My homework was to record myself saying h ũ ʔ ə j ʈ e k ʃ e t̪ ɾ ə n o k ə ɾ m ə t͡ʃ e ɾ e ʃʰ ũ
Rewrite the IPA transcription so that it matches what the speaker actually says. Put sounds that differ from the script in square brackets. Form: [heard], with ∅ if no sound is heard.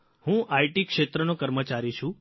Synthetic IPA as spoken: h ũ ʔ [a] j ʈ [i] k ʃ e t̪ ɾ ə n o k ə ɾ m ə t͡ʃ [a] ɾ [i] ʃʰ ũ